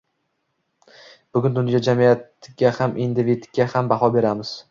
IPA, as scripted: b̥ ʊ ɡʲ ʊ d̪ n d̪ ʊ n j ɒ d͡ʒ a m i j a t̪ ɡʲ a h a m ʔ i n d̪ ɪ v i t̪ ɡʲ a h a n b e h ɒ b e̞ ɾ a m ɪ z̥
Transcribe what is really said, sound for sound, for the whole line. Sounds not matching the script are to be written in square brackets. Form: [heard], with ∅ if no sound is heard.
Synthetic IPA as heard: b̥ ʊ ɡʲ ʊ [∅] n d̪ ʊ n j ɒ d͡ʒ a m i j a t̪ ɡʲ a h a m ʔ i n d̪ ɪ v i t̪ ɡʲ a h a [m] b [a] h ɒ b e̞ ɾ a m ɪ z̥